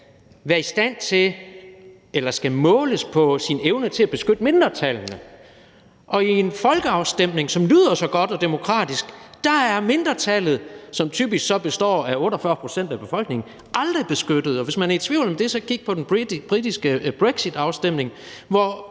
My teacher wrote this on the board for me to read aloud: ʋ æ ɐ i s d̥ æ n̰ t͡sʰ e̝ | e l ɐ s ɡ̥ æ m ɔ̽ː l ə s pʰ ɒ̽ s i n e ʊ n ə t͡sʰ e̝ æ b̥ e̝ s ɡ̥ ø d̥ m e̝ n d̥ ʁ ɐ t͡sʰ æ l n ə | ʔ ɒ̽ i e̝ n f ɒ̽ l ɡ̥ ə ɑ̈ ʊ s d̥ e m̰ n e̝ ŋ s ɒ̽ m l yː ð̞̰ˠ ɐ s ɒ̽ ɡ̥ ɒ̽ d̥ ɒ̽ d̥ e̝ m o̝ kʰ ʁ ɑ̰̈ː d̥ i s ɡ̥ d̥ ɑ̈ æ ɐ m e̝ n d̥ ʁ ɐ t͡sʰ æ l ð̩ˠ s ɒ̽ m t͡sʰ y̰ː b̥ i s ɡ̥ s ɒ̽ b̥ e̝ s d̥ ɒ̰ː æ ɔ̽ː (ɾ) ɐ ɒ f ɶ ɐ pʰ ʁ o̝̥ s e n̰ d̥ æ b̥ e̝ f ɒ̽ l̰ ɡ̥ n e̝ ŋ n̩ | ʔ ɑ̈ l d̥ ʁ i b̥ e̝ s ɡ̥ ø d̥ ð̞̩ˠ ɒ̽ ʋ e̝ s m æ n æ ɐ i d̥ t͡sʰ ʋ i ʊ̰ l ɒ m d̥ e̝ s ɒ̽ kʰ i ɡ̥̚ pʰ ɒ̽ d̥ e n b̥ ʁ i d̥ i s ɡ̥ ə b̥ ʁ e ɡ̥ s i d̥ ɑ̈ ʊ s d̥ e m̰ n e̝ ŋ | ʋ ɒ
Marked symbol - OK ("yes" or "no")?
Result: yes